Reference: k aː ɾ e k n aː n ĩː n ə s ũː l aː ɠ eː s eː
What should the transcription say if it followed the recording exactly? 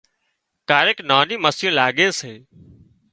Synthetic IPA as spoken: k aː ɾ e k n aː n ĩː m ə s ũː l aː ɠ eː s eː